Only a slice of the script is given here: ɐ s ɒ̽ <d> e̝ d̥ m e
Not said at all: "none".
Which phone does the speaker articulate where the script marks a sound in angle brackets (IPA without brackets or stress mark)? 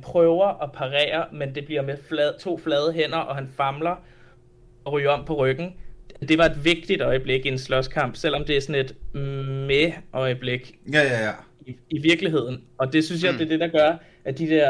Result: n